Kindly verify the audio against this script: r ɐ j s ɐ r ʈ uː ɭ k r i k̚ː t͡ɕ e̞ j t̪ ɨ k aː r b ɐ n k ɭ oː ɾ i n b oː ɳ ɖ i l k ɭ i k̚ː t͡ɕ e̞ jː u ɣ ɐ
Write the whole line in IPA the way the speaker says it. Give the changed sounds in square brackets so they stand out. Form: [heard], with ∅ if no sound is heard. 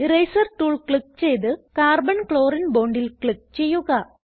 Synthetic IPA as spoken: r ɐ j s ɐ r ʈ uː ɭ k [ɭ] i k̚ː t͡ɕ e̞ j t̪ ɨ k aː r b ɐ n k ɭ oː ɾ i n b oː ɳ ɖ i l k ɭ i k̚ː t͡ɕ e̞ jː u ɣ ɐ